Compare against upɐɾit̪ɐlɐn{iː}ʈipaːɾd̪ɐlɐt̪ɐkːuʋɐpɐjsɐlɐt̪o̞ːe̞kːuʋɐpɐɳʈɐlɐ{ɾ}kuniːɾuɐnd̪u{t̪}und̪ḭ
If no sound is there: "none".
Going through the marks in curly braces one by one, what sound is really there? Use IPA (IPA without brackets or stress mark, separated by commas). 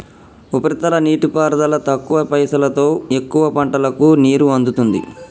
iː, none, t̪